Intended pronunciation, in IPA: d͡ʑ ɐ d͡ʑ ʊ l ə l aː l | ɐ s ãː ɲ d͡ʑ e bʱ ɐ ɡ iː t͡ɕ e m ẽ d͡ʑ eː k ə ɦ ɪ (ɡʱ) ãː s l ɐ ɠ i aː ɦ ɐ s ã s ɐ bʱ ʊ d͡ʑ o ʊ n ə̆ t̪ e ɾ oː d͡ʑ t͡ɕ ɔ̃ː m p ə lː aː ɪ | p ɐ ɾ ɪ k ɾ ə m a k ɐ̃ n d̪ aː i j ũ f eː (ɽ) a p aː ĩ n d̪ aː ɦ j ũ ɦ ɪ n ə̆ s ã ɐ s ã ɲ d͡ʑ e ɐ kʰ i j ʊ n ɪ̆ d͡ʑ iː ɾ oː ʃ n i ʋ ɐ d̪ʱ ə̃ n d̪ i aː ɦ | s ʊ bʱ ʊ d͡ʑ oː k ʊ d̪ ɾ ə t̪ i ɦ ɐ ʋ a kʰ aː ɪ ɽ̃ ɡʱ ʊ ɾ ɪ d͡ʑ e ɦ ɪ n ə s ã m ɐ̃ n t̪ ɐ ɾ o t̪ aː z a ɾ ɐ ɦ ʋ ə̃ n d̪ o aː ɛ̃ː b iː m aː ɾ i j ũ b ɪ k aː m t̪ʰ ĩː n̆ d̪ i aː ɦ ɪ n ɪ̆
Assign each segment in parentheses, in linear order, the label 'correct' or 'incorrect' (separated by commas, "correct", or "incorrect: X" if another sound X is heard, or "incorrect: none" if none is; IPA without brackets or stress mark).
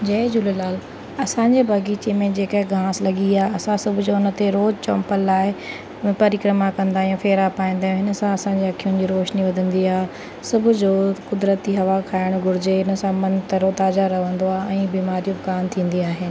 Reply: correct, incorrect: ɾ